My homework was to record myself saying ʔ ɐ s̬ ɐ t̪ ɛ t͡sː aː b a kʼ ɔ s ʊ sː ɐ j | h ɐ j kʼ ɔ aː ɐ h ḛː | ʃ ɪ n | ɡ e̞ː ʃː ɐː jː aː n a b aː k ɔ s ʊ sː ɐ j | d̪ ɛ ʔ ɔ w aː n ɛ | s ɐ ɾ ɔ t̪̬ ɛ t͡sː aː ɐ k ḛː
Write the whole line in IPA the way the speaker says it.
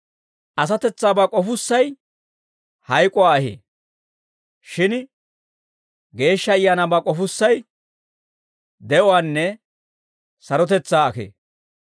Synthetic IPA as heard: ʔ ɐ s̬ ɐ t̪ ɛ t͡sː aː b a kʼ ɔ f ʊ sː ɐ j | h ɐ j kʼ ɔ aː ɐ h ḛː | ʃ ɪ n | ɡ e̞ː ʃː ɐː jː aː n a b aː kʼ ɔ f ʊ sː ɐ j | d̪ ɛ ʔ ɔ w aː nː ɛ | s ɐ ɾ ɔ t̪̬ ɛ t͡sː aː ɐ k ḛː